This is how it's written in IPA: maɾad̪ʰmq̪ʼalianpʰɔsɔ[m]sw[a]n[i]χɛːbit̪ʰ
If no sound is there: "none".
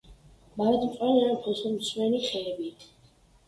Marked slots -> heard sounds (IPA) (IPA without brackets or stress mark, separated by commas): m, ɛ, i